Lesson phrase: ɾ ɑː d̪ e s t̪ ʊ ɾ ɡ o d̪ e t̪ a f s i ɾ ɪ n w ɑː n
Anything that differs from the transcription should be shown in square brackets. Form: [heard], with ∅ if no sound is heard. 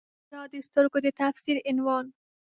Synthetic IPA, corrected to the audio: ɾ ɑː d̪ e s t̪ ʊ ɾ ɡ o d̪ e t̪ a f s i ɾ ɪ n w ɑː n